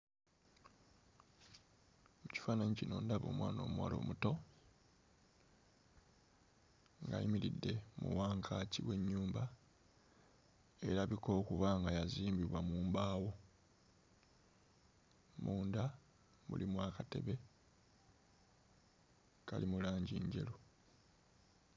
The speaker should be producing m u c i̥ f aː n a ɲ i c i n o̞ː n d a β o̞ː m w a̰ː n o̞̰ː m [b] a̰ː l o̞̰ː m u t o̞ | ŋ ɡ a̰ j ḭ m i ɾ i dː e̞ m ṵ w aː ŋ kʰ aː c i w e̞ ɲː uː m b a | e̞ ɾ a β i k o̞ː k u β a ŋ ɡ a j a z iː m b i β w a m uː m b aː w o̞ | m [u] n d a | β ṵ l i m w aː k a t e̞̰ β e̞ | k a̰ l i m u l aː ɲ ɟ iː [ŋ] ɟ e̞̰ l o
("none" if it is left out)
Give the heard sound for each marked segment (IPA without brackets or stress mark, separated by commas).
w, uː, ɲ